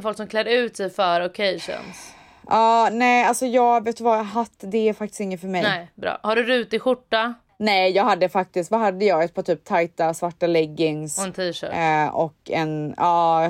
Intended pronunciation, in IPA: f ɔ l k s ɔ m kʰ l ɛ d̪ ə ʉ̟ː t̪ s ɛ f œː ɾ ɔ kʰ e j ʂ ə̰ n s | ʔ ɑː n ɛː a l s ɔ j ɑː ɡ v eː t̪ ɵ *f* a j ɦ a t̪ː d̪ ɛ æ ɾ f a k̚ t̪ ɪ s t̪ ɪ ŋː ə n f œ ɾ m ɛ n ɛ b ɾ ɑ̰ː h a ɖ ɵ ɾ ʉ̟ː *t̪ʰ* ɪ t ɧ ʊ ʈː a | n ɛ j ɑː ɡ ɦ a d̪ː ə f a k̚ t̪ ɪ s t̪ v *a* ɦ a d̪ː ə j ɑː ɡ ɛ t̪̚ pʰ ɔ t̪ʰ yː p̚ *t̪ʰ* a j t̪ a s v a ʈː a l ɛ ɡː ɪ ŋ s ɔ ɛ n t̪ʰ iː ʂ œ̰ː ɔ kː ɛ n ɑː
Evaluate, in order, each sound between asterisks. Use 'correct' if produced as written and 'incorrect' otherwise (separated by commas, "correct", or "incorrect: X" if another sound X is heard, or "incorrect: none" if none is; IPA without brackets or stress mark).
incorrect: v, incorrect: t̪, correct, correct